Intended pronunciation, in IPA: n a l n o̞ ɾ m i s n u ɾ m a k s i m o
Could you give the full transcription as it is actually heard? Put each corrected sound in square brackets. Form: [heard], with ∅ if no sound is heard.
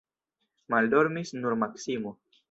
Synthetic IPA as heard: [m] a l [d] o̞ ɾ m i s n u ɾ m a k s i m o